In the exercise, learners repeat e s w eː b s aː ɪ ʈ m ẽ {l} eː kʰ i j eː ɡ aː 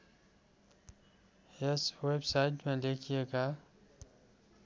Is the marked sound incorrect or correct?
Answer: correct